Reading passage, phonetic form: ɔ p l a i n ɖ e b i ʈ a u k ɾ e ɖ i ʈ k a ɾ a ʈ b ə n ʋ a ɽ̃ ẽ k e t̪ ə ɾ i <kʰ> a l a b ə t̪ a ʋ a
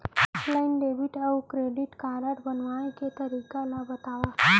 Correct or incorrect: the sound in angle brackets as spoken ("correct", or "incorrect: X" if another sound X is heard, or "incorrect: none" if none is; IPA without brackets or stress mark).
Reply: incorrect: k